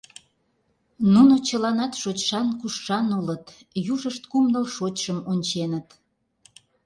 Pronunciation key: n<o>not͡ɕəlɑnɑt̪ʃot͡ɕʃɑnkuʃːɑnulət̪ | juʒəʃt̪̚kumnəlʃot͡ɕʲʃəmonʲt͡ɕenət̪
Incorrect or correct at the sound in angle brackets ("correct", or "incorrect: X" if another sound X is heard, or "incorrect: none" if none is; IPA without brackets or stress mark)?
incorrect: u